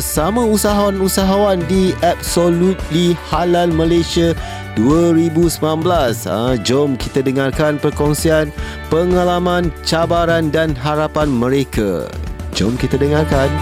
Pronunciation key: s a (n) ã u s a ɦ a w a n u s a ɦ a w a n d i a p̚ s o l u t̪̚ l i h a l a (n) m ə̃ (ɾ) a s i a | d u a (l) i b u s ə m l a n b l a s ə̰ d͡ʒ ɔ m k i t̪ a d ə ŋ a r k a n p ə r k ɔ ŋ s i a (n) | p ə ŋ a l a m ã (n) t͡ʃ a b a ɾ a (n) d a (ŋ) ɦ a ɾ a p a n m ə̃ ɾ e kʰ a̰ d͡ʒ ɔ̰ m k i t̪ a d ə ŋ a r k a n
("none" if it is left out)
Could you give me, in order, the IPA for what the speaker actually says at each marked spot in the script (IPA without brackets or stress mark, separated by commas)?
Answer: m, n, l, ɾ, n, n, n, n